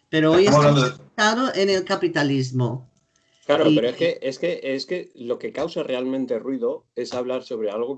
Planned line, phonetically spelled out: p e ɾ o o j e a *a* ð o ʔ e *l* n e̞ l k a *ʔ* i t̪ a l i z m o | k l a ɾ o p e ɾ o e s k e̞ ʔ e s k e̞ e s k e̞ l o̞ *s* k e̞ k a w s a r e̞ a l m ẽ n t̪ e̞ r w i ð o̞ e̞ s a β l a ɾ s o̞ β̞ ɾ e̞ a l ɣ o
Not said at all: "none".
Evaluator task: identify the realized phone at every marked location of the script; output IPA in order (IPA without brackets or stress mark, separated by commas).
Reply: a, none, p, none